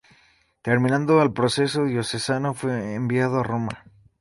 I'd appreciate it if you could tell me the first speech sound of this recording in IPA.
t̪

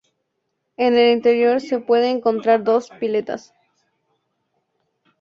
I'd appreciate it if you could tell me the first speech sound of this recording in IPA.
e̞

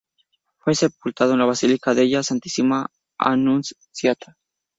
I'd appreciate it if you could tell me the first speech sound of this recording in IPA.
f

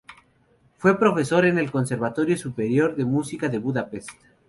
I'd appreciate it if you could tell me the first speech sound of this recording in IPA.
f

